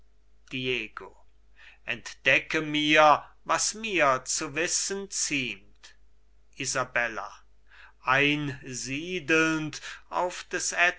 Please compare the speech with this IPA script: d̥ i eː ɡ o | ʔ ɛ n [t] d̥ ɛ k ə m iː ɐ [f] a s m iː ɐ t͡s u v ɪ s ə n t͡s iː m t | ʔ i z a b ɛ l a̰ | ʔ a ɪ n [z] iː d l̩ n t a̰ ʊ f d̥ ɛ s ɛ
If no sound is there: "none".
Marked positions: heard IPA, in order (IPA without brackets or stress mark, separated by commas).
t, v, z